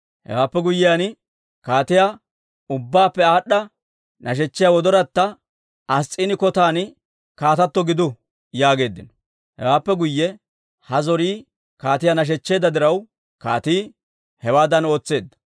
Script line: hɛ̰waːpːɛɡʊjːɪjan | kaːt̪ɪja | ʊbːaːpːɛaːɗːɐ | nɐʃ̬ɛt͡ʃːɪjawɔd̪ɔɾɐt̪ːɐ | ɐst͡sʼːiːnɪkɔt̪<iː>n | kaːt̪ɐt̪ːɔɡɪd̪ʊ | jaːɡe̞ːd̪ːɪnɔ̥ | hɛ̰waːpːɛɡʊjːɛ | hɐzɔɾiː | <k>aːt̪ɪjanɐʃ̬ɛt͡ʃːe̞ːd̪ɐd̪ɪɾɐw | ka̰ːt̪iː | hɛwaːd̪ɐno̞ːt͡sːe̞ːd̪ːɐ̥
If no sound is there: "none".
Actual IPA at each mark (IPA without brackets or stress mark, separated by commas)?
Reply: aː, k